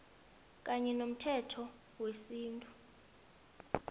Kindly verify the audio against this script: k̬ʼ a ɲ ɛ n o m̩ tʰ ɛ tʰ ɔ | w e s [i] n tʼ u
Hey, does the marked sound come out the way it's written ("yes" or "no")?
no